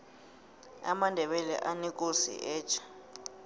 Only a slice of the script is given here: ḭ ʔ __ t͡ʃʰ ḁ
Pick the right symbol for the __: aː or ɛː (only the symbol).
ɛː